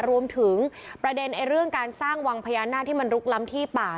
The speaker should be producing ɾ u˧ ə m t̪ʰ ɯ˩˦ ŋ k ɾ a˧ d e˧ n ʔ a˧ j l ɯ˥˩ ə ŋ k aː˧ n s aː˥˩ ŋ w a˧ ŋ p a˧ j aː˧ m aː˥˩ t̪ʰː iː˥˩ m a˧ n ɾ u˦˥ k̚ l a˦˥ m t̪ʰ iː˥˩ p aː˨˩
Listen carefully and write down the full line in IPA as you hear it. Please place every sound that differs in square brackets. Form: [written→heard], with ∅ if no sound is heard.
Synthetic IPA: ɾ u˧ ə m t̪ʰ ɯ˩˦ ŋ [k→p] ɾ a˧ d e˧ n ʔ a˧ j [l→ɾ] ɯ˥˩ ə ŋ k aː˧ n s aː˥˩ ŋ w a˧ ŋ [p→pʰ] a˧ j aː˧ [m→n] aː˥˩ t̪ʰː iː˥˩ m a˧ n ɾ u˦˥ k̚ l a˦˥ m t̪ʰ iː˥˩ p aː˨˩

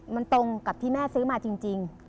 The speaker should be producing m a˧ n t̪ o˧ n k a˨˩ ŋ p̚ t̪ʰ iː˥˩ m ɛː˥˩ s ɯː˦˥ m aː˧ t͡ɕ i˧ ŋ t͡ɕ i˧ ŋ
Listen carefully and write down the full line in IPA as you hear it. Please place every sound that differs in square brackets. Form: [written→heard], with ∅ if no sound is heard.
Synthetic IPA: m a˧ n t̪ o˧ [n→ŋ] k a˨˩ [ŋ→∅] p̚ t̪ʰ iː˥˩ m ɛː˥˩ s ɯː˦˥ m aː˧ t͡ɕ i˧ ŋ t͡ɕ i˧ ŋ

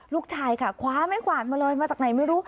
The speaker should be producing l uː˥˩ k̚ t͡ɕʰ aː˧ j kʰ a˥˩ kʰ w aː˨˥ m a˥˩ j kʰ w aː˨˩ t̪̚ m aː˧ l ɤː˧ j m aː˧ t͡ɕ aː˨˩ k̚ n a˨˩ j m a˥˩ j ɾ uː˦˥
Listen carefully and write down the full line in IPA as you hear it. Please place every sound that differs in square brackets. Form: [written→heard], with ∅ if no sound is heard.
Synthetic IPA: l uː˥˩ k̚ t͡ɕʰ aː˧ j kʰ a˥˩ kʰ w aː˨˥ m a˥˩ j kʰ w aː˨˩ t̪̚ m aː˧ l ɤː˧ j m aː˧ t͡ɕ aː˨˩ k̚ n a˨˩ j m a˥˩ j ɾ uː˦˥

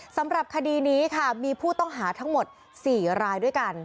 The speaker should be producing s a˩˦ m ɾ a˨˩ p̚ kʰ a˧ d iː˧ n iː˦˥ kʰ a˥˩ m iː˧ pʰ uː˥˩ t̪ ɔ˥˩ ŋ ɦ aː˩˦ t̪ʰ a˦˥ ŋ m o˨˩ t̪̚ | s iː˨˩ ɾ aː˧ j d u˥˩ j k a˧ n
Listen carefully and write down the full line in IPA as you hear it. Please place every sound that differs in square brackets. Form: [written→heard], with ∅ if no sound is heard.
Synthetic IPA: s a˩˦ m ɾ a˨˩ p̚ kʰ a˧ d iː˧ n iː˦˥ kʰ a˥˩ m iː˧ pʰ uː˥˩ t̪ ɔ˥˩ ŋ ɦ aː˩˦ t̪ʰ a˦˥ ŋ m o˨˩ t̪̚ | s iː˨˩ ɾ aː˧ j d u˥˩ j k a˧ n

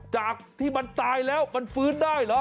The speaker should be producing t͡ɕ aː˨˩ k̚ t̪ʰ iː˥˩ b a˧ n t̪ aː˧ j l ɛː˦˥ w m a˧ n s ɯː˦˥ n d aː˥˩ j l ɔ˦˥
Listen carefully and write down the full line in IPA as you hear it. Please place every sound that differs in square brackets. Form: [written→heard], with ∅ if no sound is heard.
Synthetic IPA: t͡ɕ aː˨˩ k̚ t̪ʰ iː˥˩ [b→m] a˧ n t̪ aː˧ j l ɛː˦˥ w m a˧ n [s→f] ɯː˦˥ n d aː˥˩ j l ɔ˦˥

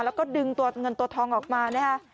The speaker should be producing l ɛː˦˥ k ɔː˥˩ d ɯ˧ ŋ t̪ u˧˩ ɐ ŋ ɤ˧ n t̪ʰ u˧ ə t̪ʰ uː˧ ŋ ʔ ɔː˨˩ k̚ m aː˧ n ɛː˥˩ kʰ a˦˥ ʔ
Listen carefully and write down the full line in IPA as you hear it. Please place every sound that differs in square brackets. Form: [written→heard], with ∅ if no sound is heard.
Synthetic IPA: l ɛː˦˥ k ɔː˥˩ d ɯ˧ ŋ t̪ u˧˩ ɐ ŋ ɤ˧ n [t̪ʰ→t̪] u˧ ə t̪ʰ [uː˧→ɔː˧] ŋ ʔ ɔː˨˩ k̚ m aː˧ n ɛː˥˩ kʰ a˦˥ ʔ

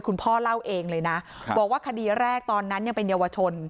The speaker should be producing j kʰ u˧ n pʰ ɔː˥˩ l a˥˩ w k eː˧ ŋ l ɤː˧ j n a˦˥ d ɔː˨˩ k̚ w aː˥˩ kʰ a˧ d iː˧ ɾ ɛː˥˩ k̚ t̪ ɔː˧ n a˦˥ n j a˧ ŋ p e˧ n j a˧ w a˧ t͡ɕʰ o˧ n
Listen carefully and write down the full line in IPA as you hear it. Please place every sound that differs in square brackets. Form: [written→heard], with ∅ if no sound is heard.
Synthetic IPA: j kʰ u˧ n pʰ ɔː˥˩ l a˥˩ w [k→ʔ] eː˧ ŋ l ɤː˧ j n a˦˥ [d→b] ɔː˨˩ k̚ w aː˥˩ kʰ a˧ d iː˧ ɾ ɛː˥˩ k̚ t̪ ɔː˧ [n→nː] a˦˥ n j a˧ ŋ p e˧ n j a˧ w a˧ t͡ɕʰ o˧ n

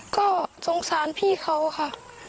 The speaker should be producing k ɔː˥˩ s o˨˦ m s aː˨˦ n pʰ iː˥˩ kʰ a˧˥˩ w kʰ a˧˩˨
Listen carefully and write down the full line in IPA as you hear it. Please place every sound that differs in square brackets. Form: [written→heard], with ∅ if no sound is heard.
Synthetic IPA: k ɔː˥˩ s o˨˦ [m→ŋ] s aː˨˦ n pʰ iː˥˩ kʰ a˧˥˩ w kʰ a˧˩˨

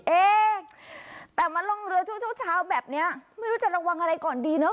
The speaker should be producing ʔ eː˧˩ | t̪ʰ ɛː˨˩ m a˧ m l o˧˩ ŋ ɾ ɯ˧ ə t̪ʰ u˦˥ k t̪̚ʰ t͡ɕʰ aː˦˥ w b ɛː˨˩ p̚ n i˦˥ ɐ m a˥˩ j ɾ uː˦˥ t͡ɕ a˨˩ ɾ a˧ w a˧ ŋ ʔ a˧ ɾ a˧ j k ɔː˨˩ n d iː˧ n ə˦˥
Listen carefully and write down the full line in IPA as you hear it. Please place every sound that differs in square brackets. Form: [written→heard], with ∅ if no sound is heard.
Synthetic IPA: ʔ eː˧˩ | [t̪ʰ→t̪] ɛː˨˩ m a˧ [m→n] l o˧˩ ŋ ɾ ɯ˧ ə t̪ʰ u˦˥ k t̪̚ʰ t͡ɕʰ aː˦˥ w b ɛː˨˩ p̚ n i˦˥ ɐ m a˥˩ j ɾ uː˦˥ t͡ɕ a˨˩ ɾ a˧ w a˧ ŋ ʔ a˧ ɾ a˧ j k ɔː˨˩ n d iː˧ n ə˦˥

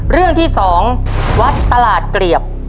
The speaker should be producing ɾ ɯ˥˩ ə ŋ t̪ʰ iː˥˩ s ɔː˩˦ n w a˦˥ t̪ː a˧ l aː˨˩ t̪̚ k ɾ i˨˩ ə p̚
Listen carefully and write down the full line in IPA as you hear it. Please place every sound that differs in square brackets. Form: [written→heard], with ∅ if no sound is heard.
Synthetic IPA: ɾ ɯ˥˩ ə ŋ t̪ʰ iː˥˩ s ɔː˩˦ [n→ŋ] w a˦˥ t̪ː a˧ l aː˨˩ t̪̚ k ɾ i˨˩ ə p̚

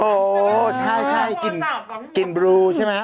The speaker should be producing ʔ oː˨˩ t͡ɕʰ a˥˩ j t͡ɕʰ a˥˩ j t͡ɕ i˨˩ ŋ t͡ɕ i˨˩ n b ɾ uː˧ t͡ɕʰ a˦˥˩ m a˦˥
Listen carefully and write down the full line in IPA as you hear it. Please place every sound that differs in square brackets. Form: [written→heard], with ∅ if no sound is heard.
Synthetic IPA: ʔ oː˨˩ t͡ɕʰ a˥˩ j t͡ɕʰ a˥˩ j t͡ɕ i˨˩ [ŋ→n] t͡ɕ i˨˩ n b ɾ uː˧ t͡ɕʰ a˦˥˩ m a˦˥

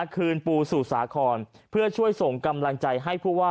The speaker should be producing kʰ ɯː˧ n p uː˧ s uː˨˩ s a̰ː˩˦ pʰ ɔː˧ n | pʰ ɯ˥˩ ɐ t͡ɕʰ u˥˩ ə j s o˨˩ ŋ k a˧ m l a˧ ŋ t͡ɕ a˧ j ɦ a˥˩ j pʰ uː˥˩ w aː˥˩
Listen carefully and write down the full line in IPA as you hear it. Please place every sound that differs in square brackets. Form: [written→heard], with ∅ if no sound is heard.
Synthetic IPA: kʰ ɯː˧ n p uː˧ s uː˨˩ s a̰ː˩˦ [pʰ→kʰ] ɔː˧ n | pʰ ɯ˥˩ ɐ t͡ɕʰ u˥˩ ə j s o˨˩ ŋ k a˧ m l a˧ ŋ t͡ɕ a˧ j ɦ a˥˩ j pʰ uː˥˩ w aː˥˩

